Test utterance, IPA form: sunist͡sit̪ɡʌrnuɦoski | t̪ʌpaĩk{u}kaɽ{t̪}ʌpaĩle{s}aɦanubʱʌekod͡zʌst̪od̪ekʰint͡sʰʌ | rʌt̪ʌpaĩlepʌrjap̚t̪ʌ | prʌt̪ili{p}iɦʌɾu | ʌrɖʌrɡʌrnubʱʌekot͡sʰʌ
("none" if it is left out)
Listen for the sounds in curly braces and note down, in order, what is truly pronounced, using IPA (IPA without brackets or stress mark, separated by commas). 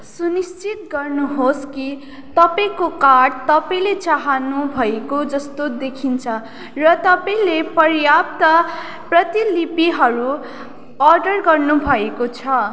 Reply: o, t̪, t͡s, p